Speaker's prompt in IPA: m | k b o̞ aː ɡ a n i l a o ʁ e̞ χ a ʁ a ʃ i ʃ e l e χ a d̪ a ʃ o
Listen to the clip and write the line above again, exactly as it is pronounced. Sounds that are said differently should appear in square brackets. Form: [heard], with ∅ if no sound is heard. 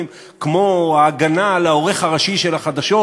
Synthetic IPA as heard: m | k [m] o̞ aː ɡ a n [a] l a o ʁ e̞ χ a ʁ a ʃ i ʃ e l [a] χ a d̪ a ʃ o